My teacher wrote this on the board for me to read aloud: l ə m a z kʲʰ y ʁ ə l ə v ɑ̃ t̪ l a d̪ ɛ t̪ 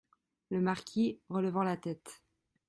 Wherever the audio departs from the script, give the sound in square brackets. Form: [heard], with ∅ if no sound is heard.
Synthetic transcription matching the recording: l ə m a [ʁ] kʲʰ [i] ʁ ə l ə v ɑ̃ [∅] l a [t̪] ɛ t̪